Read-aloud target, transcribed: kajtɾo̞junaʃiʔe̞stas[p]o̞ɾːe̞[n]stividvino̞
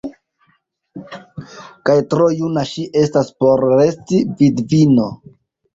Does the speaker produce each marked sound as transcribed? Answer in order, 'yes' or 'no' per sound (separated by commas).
yes, no